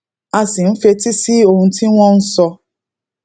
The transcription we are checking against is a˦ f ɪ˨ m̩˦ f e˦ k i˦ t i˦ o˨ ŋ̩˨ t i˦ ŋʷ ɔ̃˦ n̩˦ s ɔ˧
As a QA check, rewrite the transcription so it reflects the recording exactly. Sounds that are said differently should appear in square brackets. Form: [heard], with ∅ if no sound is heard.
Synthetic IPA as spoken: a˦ [s] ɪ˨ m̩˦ f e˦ [t] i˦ [s] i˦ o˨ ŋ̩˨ t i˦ ŋʷ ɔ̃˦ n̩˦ s ɔ˧